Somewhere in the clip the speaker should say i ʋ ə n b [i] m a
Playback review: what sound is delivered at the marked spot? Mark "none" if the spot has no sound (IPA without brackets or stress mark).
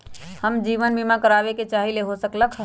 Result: i